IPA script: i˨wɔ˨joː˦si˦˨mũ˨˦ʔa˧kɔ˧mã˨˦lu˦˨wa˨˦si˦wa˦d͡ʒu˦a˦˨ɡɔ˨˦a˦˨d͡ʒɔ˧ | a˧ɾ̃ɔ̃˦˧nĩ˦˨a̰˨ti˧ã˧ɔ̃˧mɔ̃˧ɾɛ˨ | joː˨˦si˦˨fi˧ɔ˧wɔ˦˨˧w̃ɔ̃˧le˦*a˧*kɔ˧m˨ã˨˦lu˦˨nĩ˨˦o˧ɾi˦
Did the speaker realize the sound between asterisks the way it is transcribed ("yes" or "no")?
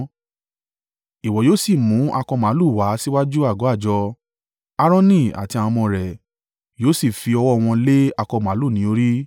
yes